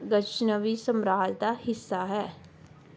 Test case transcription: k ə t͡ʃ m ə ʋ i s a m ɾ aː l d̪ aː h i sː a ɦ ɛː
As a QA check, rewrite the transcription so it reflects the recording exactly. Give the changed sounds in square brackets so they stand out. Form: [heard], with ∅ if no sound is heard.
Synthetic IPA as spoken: [ɡ] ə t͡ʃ [n] ə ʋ i s [ə] m ɾ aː l d̪ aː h [ɪ] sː a ɦ ɛː